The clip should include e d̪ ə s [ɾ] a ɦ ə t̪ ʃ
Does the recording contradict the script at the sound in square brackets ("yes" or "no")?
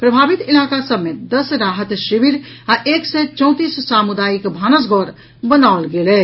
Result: no